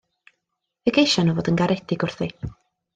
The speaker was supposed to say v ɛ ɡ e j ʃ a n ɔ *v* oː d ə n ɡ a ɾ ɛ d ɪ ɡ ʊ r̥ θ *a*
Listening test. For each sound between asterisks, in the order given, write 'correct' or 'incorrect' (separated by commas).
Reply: correct, incorrect